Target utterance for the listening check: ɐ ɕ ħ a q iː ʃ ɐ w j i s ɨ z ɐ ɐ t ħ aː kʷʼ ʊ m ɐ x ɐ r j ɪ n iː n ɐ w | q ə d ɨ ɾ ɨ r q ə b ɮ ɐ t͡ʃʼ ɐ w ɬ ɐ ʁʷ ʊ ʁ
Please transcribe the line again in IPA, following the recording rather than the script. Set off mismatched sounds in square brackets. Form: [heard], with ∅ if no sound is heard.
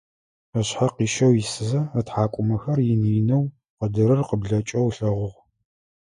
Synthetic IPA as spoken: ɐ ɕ ħ a q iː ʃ ɐ w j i s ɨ z ɐ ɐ t ħ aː kʷʼ ʊ m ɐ x ɐ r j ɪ n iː n ɐ w | q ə d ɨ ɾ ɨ r q ə b ɮ ɐ t͡ʃʼ ɐ w ɬ ɐ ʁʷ ʊ ʁ